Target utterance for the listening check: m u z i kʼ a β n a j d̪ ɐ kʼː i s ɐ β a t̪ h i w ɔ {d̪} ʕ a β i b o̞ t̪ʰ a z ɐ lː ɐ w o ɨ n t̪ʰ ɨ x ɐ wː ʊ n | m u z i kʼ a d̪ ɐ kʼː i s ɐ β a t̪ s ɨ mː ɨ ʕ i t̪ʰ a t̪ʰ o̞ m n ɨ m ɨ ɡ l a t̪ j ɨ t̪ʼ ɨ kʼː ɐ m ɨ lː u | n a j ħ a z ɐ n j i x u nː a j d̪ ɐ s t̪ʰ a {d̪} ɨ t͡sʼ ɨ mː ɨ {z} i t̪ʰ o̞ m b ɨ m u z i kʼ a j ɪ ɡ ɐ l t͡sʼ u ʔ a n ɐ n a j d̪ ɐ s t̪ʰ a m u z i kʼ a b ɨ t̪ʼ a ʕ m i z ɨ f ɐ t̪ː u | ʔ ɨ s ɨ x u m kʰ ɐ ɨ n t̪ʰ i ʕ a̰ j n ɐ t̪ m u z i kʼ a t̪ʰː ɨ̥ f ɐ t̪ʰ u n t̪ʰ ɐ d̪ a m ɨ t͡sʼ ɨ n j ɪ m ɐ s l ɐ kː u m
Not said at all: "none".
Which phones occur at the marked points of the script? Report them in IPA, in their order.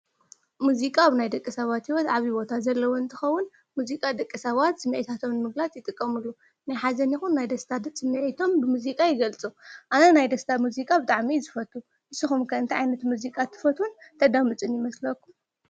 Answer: t̪, d̪, ʕ

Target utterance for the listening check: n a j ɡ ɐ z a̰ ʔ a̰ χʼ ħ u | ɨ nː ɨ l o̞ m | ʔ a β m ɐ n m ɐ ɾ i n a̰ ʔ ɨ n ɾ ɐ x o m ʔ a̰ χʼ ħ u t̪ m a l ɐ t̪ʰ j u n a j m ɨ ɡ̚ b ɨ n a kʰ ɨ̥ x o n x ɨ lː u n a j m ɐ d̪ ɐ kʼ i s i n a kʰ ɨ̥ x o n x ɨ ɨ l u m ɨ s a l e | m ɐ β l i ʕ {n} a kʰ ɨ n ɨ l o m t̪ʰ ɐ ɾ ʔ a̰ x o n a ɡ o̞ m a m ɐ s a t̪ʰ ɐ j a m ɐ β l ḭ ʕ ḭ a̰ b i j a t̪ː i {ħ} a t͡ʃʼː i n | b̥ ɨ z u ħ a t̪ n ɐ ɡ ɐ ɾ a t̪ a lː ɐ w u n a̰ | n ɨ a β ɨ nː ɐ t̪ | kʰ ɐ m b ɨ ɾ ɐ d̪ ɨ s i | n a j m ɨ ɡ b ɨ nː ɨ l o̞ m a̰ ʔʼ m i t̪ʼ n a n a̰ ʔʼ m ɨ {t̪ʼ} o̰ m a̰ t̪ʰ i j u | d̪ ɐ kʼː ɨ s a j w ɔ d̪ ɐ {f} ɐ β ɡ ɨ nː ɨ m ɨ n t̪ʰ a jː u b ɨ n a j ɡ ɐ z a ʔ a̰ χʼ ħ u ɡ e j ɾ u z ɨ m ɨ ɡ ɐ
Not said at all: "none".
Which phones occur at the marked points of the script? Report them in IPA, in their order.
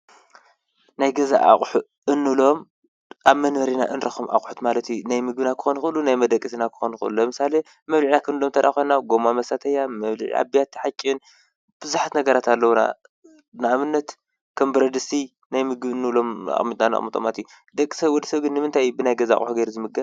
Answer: n, ħ, t̪ʼ, s

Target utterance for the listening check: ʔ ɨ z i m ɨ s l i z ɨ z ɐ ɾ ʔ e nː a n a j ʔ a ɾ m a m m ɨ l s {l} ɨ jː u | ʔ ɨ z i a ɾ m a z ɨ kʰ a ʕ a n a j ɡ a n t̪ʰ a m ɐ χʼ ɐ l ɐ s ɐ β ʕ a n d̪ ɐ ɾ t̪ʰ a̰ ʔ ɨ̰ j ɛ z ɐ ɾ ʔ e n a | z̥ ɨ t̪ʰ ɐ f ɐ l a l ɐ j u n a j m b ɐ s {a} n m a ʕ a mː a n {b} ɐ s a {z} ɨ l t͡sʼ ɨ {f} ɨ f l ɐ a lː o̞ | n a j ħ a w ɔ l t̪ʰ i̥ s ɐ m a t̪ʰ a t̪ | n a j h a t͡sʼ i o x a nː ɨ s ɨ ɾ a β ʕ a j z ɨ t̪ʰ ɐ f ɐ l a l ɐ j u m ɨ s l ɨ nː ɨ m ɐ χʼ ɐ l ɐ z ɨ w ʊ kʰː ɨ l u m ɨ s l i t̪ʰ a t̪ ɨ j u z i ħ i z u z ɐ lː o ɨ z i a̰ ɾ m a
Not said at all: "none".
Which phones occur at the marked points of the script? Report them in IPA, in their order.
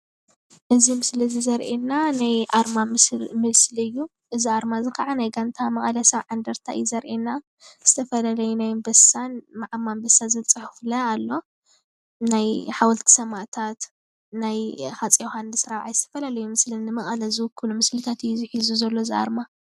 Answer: l, a, b, z, ħ

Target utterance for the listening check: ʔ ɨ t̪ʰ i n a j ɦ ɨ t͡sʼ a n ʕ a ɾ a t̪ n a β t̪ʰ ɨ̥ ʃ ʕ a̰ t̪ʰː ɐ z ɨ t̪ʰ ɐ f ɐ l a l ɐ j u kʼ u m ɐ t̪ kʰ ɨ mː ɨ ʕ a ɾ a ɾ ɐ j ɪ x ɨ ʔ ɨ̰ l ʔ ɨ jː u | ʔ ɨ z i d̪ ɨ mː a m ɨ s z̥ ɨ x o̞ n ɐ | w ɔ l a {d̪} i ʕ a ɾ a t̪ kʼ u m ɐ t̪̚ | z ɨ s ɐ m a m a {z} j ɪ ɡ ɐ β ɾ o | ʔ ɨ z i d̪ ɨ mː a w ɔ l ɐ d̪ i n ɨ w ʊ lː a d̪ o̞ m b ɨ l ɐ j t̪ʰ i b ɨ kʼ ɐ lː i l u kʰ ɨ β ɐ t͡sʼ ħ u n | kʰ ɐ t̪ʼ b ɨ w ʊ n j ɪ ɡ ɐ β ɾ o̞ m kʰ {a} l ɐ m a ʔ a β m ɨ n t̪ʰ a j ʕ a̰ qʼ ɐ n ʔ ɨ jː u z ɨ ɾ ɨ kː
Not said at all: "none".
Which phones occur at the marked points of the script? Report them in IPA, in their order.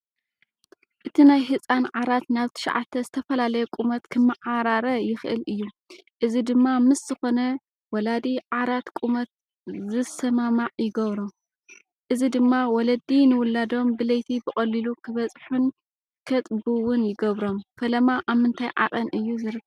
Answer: d̪, ʕ, ɐ

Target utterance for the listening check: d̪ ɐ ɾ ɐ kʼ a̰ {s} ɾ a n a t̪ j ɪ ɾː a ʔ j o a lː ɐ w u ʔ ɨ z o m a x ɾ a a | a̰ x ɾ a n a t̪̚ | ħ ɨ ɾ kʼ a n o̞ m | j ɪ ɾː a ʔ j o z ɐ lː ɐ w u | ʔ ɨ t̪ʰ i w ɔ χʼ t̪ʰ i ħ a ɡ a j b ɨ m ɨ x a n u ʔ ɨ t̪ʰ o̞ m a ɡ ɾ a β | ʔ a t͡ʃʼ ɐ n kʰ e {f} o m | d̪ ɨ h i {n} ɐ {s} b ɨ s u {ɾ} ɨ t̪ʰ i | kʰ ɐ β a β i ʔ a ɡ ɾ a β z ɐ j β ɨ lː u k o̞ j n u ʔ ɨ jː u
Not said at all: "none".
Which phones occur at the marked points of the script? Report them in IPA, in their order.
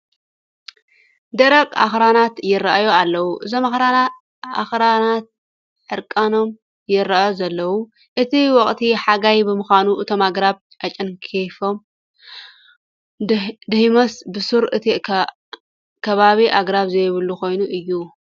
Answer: x, f, m, s, ɾ

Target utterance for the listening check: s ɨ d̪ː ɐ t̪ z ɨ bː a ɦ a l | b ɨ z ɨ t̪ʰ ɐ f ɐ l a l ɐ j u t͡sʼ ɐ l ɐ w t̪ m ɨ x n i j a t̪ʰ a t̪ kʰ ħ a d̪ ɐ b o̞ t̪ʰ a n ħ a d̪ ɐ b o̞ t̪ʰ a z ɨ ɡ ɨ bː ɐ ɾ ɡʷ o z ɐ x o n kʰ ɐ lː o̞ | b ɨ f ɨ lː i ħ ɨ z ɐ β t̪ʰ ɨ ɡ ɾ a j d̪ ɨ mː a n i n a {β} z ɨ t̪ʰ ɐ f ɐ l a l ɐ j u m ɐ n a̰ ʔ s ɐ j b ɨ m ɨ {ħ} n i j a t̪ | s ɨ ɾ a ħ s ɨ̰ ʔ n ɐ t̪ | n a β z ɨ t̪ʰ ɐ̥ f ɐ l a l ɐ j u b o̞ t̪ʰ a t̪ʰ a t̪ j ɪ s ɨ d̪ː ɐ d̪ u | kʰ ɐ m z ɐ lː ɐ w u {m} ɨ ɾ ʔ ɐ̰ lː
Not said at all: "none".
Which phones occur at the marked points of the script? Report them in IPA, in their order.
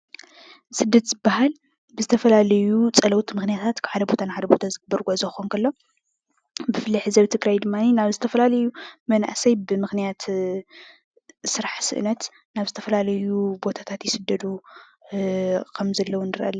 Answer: β, x, n

